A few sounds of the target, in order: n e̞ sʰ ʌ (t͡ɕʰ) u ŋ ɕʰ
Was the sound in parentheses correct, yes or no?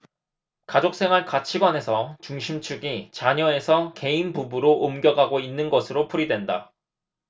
no